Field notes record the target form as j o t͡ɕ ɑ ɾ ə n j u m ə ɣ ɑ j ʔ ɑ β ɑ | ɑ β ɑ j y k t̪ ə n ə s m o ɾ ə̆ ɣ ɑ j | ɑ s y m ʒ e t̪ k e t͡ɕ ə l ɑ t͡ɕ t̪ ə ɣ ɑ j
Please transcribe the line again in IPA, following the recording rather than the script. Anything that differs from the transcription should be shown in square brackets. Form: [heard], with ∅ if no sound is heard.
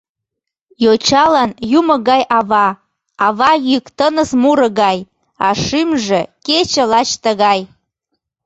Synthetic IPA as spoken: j o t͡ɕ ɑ [l] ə n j u m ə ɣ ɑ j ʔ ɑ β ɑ | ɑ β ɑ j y k t̪ ə n ə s m [u] ɾ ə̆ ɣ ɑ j | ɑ [ʃ] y m ʒ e [∅] k e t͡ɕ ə l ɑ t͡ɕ t̪ ə ɣ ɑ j